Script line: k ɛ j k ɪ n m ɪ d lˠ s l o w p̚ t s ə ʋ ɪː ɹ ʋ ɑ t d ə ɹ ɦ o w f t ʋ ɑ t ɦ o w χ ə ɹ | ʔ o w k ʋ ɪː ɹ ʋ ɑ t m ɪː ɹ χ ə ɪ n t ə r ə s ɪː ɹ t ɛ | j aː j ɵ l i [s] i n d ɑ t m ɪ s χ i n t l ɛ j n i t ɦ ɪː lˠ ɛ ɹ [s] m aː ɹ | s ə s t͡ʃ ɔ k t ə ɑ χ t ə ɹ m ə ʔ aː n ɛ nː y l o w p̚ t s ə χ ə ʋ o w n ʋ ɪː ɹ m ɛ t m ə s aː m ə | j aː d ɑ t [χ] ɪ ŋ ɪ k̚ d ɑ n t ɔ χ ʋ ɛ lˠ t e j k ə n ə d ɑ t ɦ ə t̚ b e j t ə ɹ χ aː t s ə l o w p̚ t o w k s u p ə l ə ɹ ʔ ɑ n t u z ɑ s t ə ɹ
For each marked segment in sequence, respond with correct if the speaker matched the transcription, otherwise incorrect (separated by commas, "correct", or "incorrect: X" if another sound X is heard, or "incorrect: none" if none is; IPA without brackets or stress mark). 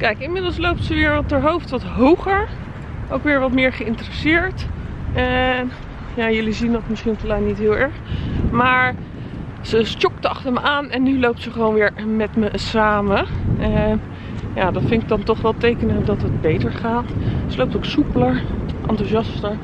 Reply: incorrect: z, incorrect: χ, incorrect: f